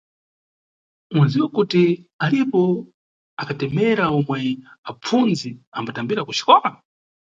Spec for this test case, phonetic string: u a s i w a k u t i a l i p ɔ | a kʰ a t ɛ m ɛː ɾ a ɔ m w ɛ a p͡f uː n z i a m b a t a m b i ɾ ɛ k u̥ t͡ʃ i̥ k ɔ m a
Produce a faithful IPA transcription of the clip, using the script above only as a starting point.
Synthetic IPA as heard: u a z i w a k u t i a l i p ɔ | a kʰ a t ɛ m ɛ ɾ a ɔ m w ɛ a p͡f u n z i a m b a t a m b i ɾ a k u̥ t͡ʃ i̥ k ɔ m a